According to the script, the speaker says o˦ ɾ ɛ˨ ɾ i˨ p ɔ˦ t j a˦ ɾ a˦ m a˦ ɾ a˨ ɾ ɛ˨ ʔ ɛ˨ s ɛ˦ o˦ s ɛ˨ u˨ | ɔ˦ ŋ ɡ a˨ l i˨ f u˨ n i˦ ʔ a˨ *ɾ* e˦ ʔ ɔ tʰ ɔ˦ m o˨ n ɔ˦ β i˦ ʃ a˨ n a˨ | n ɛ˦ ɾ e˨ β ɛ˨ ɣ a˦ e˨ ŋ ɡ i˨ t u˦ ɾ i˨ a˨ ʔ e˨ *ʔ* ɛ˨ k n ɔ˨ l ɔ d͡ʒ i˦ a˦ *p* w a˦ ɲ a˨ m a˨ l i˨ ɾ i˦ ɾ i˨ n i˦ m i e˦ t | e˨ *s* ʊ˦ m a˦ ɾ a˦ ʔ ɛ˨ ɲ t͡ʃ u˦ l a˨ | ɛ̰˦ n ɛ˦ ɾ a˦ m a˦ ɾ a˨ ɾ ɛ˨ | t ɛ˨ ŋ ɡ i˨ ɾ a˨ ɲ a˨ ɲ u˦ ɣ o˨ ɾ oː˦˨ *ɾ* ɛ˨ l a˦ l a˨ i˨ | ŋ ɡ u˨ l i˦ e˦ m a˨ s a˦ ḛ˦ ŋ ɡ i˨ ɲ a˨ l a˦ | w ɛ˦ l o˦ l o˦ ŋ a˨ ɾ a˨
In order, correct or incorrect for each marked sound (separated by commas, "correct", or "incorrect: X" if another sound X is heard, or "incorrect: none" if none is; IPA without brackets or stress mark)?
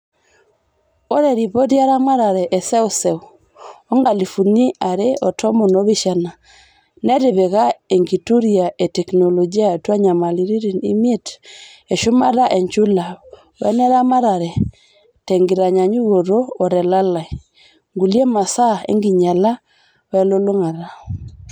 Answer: correct, incorrect: t, incorrect: t, incorrect: ʃ, correct